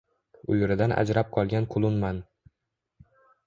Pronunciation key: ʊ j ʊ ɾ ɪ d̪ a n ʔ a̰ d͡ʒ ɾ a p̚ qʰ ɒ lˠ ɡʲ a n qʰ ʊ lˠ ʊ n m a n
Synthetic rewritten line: ʊ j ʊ ɾ ɪ d̪ a n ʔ a̰ d͡ʒ ɾ a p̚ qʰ ɒ lˠ ɡʲ a n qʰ ʊ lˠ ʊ n m a n